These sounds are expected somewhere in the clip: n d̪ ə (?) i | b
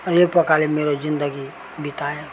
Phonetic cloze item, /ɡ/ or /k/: ɡ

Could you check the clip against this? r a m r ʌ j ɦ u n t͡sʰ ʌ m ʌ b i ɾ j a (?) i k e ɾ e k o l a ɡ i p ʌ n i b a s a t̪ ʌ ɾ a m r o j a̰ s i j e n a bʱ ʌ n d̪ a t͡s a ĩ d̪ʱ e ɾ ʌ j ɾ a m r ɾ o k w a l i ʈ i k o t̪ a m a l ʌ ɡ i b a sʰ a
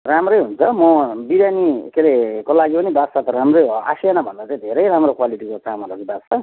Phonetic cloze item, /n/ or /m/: n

